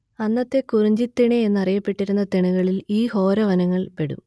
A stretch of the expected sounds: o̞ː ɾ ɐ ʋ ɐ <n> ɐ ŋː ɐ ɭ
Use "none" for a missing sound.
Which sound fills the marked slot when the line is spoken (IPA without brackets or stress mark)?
n